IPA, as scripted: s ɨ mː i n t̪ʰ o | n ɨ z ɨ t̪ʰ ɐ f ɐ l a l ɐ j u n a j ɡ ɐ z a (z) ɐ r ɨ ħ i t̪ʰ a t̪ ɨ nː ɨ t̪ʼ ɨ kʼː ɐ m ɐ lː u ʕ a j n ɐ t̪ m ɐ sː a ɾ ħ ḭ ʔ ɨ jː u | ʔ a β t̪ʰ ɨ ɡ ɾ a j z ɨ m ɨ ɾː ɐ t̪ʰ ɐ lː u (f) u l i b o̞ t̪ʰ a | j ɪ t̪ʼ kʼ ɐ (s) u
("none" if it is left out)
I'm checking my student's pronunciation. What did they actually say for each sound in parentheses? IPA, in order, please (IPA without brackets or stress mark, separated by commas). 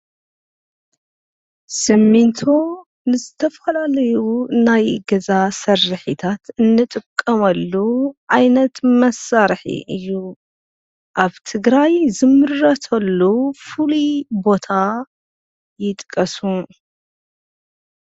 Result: s, f, s